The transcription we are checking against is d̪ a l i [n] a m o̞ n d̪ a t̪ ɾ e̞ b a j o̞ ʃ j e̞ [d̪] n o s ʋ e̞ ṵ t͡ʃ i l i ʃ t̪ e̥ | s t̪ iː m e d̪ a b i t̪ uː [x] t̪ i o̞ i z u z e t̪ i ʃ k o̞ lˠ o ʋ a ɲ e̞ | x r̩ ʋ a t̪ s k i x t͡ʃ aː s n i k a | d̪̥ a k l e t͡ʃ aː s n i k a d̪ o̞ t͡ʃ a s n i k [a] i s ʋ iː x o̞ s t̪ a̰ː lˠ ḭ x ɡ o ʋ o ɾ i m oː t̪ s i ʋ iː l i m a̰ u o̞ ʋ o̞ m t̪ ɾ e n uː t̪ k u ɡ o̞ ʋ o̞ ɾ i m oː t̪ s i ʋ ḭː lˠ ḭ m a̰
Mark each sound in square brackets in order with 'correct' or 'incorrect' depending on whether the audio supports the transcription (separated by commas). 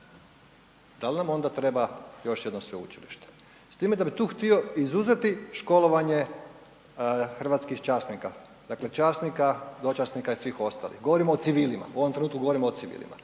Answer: correct, correct, correct, correct